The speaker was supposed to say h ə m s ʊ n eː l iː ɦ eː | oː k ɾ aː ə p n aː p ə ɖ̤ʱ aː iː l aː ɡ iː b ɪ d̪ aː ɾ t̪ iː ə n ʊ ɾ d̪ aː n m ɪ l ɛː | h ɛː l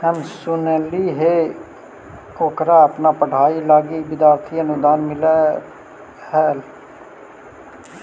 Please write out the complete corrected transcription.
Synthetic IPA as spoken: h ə m s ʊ n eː l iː ɦ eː | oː k ɾ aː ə p n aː p ə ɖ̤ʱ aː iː l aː ɡ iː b ɪ d̪ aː ɾ t̪ʰ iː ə n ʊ d̪ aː n m ɪ l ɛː | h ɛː l